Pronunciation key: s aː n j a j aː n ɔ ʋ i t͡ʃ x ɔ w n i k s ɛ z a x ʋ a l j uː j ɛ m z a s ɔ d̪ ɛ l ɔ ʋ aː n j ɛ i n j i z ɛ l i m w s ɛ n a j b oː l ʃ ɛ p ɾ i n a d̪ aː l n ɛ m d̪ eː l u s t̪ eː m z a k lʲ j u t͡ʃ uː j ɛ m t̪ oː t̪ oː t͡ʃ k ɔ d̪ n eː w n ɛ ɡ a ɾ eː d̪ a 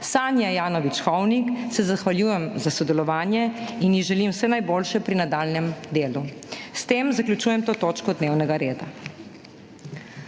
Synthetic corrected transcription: s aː n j a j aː n ɔ ʋ i t͡ʃ x ɔ w n i k s ɛ z a x ʋ a l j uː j ɛ m z a s ɔ d̪ ɛ l ɔ ʋ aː n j ɛ i n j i ʒ ɛ l i m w s ɛ n a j b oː l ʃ ɛ p ɾ i n a d̪ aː l n ɛ m d̪ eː l u s t̪ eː m z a k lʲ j u t͡ʃ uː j ɛ m t̪ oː t̪ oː t͡ʃ k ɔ d̪ n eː w n ɛ ɡ a ɾ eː d̪ a

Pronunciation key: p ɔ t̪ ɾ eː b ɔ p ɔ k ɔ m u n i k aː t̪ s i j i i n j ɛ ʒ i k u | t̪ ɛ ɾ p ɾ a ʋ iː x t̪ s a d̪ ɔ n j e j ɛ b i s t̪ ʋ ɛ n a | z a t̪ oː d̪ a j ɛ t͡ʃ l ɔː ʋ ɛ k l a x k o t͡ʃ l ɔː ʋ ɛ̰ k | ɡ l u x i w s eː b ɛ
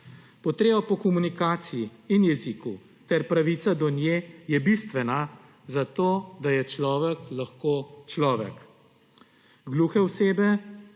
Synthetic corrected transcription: p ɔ t̪ ɾ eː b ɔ p ɔ k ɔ m u n i k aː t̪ s i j i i n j ɛ z i k u | t̪ ɛ ɾ p ɾ a ʋ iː t̪ s a d̪ ɔ n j e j ɛ b i s t̪ ʋ ɛ n a | z a t̪ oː d̪ a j ɛ t͡ʃ l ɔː ʋ ɛ k l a x k o t͡ʃ l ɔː ʋ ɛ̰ k | ɡ l u x ɛ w s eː b ɛ

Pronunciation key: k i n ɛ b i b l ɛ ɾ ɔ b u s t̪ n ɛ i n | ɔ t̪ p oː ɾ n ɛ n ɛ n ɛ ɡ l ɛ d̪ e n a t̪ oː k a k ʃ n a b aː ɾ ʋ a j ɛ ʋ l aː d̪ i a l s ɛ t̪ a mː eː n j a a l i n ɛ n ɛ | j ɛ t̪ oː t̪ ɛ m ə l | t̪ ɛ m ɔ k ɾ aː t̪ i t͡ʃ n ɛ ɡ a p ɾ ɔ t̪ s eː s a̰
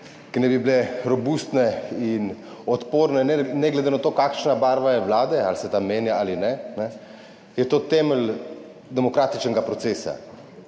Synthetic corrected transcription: k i n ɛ b i b l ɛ ɾ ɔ b u s t̪ n ɛ i n | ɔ t̪ p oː ɾ n ɛ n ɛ n ɛ ɡ l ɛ d̪ e n a t̪ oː k a k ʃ n a b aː ɾ ʋ a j ɛ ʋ l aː d̪ ɛ a l s ɛ t̪ a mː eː n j a a l i n ɛ n ɛ | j ɛ t̪ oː t̪ ɛ m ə l | d̪ ɛ m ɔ k ɾ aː t̪ i t͡ʃ n ɛ ɡ a p ɾ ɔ t̪ s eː s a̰

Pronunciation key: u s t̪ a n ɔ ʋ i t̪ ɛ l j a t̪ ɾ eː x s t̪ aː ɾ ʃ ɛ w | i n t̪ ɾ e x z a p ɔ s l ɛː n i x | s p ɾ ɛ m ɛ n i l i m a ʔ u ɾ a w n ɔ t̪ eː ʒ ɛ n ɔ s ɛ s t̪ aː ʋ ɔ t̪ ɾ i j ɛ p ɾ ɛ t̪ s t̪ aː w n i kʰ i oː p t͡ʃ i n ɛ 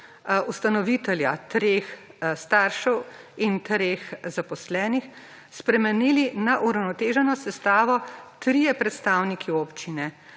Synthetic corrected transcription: u s t̪ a n ɔ ʋ i t̪ ɛ l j a t̪ ɾ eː x s t̪ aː ɾ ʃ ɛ w | i n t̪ ɾ e x z a p ɔ s l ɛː n i x | s p ɾ ɛ m ɛ n i l i n a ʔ u ɾ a w n ɔ t̪ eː ʒ ɛ n ɔ s ɛ s t̪ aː ʋ ɔ t̪ ɾ i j ɛ p ɾ ɛ t̪ s t̪ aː w n i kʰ i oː p t͡ʃ i n ɛ

